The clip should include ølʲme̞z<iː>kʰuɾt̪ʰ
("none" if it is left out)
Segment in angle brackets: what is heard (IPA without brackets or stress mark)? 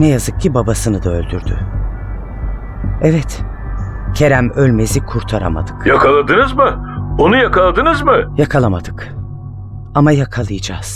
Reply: i